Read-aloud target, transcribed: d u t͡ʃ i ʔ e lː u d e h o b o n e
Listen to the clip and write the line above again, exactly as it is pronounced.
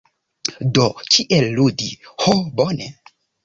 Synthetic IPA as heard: d o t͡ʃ i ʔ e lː u d i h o b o n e

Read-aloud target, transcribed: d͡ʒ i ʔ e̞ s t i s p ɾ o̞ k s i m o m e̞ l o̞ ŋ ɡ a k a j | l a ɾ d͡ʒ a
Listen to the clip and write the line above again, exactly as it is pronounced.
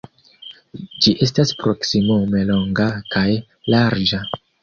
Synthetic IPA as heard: d͡ʒ i ʔ e̞ s t a s p ɾ o̞ k s i m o m e̞ l o̞ ŋ ɡ a k a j | l a ɾ d͡ʒ a

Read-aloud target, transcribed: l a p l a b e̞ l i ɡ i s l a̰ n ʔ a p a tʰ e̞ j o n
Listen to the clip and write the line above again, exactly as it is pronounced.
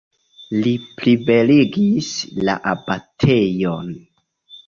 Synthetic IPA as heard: l i p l i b e̞ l i ɡ i s l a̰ ʔ a b a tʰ e̞ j o n

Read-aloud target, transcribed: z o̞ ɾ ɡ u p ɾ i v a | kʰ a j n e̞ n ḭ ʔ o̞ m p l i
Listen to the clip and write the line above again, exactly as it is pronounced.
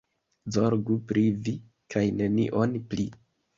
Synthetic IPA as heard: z o̞ ɾ ɡ u p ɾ i v i | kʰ a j n e̞ n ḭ ʔ o̞ n p l i

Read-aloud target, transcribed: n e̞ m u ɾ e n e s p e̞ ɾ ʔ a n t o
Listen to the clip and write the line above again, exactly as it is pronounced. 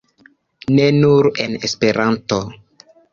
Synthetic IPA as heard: n e̞ n u ɾ e n e s p e̞ ɾ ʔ a n t o

